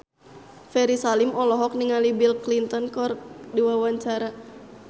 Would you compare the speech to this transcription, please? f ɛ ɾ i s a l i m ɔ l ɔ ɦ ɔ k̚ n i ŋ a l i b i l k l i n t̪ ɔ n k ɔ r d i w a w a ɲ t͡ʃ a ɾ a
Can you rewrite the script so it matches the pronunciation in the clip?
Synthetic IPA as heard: f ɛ ɾ i s a l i m ɔ l ɔ ɦ ɔ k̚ n i ŋ a l i b i l k l i n t̪ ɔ n k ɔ r d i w a w a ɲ t͡ʃ a ɾ a